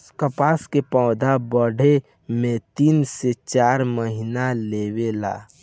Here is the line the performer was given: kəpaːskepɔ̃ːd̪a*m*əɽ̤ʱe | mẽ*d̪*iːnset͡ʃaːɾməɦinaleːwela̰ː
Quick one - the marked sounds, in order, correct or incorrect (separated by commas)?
incorrect, incorrect